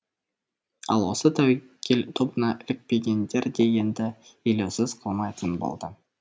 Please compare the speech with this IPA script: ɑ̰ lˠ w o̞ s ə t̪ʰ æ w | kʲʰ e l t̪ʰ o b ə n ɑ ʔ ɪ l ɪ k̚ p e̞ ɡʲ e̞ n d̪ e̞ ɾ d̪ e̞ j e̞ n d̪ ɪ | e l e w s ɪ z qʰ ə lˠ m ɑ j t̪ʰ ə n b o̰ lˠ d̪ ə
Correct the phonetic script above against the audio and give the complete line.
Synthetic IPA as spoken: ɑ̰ lˠ w o̞ s ə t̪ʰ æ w | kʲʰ e l t̪ʰ o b ə n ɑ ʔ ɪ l ɪ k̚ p e̞ ɡʲ e̞ n d̪ e̞ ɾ d̪ e̞ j e̞ n d̪ ɪ | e l e w s ɪ z qʰ ə lˠ m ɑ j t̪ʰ ə n b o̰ lˠ d̪ ə